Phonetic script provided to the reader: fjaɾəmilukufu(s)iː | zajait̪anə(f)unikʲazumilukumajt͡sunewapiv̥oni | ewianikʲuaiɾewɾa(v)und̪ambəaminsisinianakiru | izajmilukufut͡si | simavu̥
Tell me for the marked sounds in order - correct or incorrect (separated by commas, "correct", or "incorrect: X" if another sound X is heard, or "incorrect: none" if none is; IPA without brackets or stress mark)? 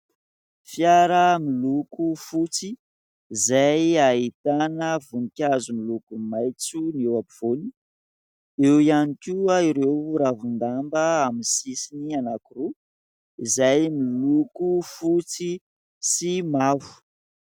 incorrect: t͡s, incorrect: v, correct